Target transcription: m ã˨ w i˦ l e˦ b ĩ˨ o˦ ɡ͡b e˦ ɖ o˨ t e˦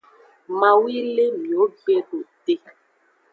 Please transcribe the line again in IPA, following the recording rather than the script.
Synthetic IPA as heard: m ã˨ w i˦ l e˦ m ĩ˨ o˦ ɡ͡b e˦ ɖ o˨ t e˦